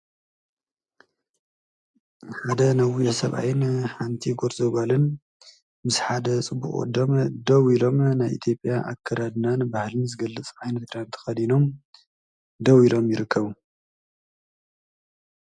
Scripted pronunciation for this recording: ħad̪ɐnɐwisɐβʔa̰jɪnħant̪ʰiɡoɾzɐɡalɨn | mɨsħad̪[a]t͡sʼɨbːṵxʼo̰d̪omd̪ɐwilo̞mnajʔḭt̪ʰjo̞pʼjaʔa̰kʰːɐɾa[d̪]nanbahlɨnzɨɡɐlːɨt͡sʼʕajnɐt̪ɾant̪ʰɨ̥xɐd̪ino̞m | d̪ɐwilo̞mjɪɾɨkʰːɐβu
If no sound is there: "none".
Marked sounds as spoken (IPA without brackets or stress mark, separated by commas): ɐ, d̪